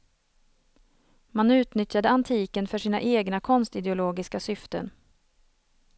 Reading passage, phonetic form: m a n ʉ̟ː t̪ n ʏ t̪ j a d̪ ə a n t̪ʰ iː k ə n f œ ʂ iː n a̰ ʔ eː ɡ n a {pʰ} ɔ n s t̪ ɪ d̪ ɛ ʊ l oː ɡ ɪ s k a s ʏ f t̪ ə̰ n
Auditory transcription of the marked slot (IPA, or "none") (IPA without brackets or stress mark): kʰ